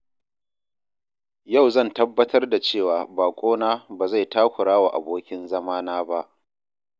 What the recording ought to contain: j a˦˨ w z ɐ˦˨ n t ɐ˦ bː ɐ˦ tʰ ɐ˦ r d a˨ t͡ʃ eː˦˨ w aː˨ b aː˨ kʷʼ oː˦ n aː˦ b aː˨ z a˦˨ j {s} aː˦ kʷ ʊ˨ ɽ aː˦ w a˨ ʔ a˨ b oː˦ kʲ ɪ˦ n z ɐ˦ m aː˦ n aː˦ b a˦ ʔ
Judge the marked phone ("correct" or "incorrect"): incorrect